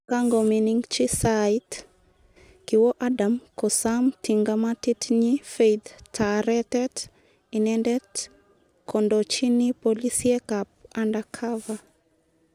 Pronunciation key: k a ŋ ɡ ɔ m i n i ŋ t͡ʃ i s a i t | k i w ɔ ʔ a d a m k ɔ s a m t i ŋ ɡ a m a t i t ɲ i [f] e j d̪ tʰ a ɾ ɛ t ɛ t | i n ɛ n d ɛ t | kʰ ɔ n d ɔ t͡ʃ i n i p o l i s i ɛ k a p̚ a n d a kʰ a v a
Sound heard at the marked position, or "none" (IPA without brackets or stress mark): f